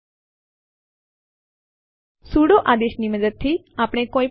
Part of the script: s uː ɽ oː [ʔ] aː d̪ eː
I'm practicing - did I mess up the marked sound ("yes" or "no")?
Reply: no